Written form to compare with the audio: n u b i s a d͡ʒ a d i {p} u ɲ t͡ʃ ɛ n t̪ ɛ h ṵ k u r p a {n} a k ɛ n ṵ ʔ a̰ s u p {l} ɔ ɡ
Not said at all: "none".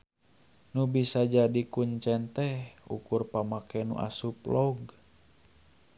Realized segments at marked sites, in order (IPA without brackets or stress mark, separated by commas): k, m, l